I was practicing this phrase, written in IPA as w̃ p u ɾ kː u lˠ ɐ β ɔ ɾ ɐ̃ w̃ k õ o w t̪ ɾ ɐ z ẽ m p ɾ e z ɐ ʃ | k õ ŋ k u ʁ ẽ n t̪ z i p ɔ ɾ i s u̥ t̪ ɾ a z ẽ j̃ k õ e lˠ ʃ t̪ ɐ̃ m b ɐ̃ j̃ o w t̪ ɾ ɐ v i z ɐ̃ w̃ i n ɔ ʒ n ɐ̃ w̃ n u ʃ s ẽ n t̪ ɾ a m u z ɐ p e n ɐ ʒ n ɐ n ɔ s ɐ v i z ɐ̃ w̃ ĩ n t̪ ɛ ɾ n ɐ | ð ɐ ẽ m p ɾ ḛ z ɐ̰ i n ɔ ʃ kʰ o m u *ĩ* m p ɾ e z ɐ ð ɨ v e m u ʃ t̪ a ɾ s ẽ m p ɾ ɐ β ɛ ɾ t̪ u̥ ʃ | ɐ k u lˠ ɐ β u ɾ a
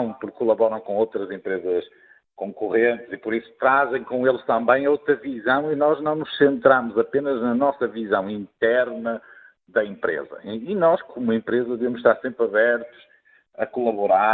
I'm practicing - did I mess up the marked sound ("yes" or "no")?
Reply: yes